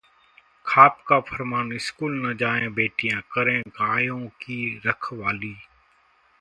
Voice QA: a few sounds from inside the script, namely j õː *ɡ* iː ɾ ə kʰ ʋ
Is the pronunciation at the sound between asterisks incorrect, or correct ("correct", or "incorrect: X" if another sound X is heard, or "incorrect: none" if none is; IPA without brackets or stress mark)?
incorrect: k